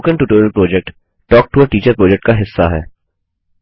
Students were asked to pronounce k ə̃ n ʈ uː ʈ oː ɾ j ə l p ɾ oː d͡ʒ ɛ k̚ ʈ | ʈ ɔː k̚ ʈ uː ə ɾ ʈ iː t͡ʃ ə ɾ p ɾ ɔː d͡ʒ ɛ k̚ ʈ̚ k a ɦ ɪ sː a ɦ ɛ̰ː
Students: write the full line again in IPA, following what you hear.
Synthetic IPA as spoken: k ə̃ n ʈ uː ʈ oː ɾ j ə l p ɾ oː d͡ʒ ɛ k̚ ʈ | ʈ ɔː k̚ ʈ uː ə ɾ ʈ iː t͡ʃ ə ɾ p ɾ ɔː d͡ʒ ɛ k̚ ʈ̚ k a ɦ ɪ sː a ɦ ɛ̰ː